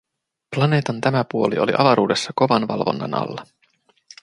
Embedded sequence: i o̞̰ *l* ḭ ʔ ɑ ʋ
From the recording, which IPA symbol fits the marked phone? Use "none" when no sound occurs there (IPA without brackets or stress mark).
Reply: l